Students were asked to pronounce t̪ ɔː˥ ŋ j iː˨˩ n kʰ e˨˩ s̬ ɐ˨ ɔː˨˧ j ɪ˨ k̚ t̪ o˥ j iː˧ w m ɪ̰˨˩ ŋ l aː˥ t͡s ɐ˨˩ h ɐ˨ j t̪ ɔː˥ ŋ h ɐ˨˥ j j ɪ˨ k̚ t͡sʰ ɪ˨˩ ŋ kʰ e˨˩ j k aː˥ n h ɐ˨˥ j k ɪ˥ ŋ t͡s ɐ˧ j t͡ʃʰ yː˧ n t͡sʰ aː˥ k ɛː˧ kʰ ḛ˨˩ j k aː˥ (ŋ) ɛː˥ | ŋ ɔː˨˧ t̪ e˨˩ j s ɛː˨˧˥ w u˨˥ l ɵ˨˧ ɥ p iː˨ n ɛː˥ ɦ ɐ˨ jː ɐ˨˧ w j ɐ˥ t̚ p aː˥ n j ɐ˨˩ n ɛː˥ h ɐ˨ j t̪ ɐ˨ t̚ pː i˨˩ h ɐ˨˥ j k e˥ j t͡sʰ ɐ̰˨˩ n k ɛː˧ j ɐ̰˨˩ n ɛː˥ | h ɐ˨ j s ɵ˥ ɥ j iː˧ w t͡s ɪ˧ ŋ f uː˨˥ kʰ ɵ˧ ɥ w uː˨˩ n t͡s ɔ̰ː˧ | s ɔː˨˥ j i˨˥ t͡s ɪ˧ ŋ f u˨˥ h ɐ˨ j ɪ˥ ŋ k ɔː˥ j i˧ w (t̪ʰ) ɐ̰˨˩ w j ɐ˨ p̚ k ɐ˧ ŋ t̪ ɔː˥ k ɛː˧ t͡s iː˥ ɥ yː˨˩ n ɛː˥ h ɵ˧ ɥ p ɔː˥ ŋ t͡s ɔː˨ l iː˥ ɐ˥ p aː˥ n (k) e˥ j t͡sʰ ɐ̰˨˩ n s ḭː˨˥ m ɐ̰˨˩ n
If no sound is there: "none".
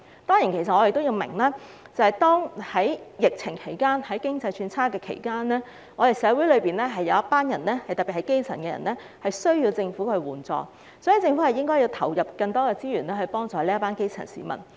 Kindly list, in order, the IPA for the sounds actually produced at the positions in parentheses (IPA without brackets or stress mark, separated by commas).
n, t̪ʰ, k